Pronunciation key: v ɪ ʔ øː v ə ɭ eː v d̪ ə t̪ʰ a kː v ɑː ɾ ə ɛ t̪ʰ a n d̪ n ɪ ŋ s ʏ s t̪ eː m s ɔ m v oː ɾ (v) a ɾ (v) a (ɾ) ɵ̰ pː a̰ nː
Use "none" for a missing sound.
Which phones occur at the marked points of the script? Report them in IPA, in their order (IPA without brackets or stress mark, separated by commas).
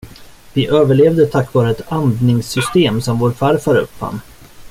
f, f, ɾ